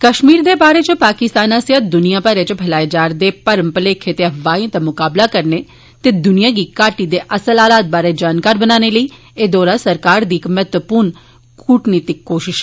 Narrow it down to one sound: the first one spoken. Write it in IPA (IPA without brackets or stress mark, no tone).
k